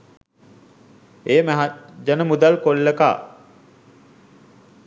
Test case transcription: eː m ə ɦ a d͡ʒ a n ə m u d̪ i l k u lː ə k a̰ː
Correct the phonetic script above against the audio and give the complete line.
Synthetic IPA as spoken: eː m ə ɦ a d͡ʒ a n ə m u d̪ a l k o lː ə k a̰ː